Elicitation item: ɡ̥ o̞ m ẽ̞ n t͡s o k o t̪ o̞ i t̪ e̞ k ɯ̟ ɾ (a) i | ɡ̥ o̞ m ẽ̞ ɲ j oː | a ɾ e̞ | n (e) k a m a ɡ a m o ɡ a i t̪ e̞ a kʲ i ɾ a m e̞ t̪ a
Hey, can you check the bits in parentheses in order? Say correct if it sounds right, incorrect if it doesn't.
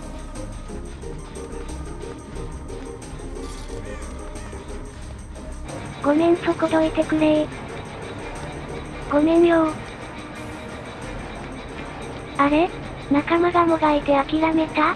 incorrect: e, incorrect: a

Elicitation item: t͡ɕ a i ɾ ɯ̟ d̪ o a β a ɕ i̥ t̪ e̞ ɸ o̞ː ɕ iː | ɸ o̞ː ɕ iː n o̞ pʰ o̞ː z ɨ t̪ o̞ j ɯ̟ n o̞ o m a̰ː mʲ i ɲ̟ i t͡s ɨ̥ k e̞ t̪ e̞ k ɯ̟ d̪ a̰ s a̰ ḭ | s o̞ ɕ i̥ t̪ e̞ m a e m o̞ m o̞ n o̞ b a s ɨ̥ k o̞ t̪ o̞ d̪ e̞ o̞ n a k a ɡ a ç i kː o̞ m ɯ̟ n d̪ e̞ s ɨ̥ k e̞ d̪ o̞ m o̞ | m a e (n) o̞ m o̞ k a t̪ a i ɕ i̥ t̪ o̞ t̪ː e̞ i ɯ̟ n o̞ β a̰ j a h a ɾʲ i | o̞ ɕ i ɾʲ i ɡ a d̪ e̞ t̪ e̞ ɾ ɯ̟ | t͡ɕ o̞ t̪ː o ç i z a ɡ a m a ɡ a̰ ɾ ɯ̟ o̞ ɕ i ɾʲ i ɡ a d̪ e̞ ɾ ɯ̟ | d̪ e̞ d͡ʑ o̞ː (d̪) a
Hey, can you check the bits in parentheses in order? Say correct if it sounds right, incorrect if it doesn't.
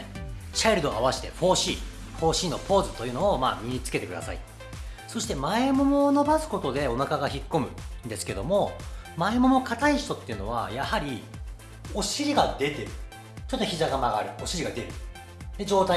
incorrect: m, incorrect: t̪

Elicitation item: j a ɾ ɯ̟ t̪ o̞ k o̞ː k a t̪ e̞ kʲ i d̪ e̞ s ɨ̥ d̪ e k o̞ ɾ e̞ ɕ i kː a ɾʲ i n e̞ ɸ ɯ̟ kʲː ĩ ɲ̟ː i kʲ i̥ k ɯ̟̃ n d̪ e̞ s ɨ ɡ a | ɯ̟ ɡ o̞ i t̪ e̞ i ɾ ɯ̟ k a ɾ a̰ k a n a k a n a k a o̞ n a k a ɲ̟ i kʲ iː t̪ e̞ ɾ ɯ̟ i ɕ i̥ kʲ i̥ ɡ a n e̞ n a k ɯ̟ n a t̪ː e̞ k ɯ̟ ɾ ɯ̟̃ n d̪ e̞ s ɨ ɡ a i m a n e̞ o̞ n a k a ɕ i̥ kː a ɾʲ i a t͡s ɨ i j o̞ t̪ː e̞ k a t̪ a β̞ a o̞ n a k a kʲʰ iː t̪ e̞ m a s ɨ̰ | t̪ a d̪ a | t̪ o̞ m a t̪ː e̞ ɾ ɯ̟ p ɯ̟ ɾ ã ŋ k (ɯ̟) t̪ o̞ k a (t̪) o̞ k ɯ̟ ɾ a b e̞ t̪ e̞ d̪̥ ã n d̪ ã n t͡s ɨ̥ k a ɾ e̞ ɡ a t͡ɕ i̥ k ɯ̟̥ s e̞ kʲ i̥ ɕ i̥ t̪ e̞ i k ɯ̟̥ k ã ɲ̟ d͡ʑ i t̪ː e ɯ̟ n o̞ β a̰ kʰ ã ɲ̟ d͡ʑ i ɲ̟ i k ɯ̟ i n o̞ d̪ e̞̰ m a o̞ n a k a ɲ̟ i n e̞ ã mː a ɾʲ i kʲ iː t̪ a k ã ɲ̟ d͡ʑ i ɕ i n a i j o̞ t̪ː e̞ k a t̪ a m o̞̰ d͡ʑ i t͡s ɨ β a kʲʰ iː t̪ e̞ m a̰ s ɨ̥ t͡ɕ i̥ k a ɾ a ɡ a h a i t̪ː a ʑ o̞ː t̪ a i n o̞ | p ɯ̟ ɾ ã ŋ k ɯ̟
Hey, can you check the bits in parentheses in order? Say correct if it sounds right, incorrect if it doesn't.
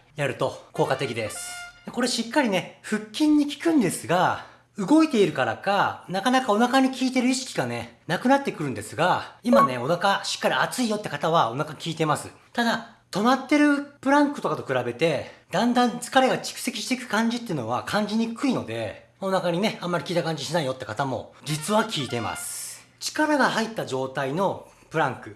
correct, correct

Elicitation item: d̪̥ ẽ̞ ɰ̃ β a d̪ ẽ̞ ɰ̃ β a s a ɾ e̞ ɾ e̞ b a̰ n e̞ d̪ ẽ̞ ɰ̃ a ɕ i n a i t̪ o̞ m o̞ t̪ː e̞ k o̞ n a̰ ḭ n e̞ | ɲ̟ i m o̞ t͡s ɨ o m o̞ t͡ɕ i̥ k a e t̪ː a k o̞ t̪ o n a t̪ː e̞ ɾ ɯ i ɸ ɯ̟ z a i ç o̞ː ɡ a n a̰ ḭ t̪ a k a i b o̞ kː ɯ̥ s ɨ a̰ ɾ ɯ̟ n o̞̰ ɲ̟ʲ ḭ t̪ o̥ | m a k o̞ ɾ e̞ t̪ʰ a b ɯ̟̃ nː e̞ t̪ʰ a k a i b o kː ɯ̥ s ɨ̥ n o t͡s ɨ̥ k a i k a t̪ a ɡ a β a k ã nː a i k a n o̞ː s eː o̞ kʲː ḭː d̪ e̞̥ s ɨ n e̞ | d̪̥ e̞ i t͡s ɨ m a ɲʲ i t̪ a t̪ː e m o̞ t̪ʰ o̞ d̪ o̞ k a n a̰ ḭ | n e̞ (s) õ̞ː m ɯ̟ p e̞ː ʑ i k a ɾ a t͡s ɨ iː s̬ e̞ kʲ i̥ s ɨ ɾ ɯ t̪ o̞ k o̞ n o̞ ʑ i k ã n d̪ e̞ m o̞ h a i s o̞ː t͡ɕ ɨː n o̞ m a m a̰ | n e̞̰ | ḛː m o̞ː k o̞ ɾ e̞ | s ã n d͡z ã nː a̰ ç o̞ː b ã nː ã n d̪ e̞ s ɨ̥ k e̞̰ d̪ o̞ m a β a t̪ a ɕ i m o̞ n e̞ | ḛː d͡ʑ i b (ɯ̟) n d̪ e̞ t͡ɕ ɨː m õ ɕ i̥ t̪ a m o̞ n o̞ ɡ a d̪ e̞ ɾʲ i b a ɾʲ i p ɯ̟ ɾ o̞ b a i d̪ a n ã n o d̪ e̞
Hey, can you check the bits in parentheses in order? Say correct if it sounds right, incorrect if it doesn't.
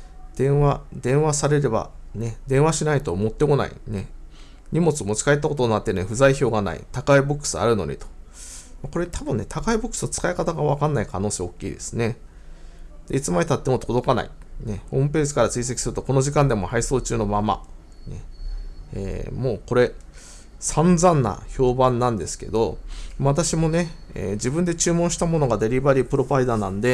incorrect: h, incorrect: ɯ̟̃

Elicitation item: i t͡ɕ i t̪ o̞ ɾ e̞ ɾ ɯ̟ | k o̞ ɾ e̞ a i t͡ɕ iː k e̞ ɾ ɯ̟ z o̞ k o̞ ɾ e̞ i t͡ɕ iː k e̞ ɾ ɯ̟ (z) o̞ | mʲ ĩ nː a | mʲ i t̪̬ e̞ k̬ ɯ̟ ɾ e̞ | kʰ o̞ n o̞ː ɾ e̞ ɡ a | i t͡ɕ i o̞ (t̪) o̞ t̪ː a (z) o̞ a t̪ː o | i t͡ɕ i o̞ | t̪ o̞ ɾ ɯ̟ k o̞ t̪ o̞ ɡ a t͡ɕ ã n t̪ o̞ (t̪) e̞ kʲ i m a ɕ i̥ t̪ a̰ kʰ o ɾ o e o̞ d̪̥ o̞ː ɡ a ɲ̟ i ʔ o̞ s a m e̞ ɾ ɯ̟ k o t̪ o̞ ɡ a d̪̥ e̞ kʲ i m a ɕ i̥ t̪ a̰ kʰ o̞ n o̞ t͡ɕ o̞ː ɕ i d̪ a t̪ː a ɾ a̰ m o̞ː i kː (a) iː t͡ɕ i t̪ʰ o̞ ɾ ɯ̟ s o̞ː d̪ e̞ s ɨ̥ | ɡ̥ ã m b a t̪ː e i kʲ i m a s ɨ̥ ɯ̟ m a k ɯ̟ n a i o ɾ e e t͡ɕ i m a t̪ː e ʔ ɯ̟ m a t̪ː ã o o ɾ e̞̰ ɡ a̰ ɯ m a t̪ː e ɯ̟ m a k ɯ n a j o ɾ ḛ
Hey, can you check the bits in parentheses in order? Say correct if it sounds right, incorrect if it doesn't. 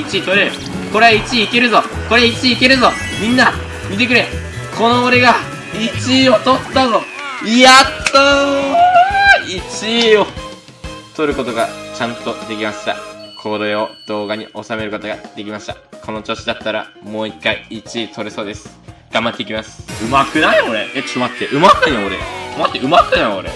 correct, correct, correct, incorrect: d̪, correct

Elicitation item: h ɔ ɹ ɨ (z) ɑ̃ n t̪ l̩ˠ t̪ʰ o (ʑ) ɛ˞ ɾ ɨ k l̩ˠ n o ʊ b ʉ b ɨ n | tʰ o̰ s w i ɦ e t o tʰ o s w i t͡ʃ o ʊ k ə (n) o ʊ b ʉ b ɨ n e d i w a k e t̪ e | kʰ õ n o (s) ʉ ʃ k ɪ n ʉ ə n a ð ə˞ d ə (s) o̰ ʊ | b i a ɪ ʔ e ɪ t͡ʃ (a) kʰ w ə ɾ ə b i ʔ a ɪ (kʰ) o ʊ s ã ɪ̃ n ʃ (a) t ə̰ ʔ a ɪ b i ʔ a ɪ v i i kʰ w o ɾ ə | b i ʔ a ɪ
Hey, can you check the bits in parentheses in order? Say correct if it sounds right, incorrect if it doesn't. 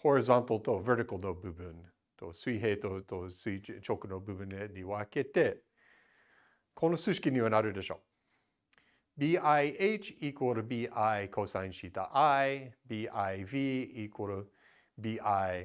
correct, incorrect: v, correct, correct, incorrect: ʃ, incorrect: i, correct, incorrect: i

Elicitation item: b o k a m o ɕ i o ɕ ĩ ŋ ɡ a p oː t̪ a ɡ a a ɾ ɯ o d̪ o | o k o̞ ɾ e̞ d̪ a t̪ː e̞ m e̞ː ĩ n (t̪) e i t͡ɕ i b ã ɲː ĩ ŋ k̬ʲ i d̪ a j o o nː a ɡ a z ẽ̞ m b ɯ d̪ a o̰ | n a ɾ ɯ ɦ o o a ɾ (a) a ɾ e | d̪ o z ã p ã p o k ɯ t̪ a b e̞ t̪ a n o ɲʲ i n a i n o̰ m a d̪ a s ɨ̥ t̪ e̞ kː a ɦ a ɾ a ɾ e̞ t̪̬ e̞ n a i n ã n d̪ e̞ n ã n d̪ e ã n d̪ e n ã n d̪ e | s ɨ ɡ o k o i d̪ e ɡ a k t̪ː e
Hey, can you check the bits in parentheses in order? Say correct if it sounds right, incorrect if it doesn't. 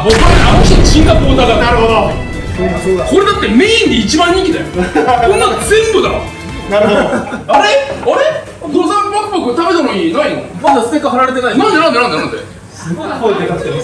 incorrect: d̪, incorrect: e

